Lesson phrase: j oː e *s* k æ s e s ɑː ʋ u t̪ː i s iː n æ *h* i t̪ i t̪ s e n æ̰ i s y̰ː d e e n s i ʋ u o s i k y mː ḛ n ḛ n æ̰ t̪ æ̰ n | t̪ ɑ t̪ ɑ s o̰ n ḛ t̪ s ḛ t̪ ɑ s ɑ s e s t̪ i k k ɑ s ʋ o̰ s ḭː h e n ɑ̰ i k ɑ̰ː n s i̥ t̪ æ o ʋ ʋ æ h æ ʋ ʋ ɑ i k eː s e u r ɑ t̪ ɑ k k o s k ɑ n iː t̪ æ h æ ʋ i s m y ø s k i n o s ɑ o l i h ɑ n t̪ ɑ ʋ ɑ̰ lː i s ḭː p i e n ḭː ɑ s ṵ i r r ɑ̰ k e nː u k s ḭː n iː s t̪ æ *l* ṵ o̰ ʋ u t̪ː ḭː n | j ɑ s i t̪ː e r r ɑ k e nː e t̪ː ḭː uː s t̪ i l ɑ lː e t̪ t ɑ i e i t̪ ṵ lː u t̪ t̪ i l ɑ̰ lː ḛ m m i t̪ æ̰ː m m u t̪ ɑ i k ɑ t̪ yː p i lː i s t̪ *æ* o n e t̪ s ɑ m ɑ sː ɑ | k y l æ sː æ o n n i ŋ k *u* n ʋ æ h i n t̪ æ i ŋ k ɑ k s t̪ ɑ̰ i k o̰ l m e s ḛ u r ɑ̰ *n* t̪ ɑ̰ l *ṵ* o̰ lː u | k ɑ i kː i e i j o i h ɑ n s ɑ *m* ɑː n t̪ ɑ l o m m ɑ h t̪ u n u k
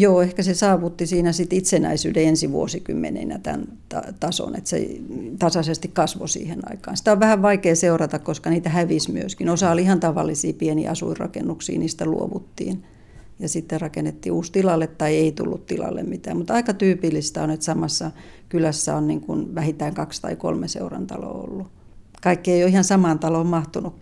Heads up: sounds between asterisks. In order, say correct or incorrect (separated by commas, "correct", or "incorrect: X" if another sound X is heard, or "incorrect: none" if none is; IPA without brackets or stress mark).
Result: incorrect: h, incorrect: s, correct, correct, correct, correct, incorrect: o̰, correct